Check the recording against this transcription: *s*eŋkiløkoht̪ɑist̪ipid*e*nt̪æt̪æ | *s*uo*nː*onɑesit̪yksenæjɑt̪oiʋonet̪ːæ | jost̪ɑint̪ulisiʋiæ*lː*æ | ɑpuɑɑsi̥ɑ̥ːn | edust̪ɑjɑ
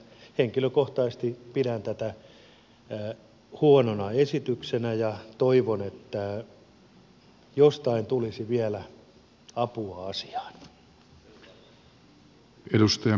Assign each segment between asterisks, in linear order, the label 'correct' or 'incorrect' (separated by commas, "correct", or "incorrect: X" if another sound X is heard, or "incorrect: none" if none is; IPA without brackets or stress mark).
incorrect: h, incorrect: æ, incorrect: h, incorrect: n, incorrect: l